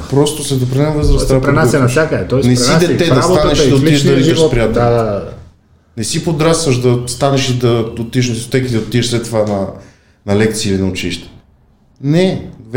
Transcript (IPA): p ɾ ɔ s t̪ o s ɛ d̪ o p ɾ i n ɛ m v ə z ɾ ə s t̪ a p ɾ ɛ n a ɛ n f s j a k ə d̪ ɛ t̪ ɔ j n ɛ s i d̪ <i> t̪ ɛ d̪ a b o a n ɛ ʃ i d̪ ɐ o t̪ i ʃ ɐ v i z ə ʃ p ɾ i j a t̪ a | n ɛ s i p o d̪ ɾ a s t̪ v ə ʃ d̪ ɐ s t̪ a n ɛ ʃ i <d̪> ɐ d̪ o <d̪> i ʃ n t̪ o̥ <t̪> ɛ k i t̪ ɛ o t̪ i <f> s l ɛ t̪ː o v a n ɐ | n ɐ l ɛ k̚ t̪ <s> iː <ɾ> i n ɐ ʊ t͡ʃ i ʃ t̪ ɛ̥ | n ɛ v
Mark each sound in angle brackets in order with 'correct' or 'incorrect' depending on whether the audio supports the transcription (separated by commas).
incorrect, correct, incorrect, correct, incorrect, correct, incorrect